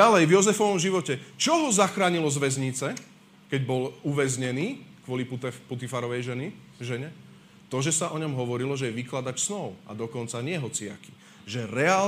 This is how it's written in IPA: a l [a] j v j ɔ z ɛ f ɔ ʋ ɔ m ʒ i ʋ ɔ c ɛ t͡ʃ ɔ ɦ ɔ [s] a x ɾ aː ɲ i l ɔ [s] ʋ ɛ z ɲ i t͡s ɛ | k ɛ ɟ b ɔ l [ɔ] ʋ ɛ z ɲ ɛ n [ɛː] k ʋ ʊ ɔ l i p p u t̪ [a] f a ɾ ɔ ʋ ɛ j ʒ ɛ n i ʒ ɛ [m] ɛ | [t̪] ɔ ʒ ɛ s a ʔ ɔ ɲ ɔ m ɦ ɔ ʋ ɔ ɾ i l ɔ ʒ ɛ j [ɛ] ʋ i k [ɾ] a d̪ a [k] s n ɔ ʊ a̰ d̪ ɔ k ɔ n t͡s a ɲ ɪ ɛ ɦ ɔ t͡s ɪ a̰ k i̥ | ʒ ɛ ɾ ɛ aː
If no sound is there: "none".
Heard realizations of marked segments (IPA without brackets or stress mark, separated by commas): ɛ, z, z, u, iː, i, ɲ, t̪, ɛ, l, c